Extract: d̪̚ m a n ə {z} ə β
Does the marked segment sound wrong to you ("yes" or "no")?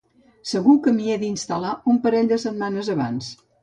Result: no